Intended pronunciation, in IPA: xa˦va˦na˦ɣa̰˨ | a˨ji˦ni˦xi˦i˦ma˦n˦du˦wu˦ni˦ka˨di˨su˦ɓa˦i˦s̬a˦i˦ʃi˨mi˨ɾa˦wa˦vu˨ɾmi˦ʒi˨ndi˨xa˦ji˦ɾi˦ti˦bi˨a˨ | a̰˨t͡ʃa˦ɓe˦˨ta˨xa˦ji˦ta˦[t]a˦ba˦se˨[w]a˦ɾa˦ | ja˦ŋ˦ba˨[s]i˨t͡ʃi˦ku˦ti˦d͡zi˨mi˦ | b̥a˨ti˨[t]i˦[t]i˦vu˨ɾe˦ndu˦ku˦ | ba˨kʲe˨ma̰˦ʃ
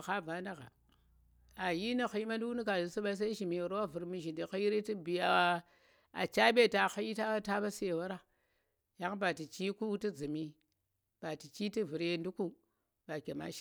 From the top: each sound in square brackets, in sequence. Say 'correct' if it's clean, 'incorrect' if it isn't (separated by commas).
correct, correct, incorrect, incorrect, correct